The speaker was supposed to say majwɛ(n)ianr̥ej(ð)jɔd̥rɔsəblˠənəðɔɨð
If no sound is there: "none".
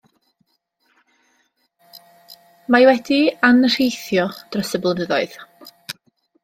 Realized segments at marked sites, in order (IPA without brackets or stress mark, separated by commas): d, θ